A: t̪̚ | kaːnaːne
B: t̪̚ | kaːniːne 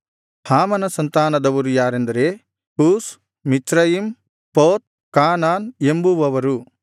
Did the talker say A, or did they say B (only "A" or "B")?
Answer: A